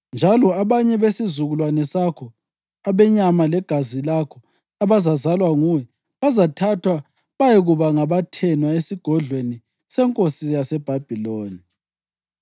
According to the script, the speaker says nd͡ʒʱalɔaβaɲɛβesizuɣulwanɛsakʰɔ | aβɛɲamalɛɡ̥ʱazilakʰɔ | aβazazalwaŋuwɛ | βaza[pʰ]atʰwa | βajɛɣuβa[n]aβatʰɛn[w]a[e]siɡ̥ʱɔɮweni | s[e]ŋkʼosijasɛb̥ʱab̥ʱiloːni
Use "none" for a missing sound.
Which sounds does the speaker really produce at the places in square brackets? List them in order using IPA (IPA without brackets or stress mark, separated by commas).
tʰ, ŋ, w, e, ɛ